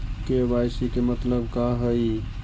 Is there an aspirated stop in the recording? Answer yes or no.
no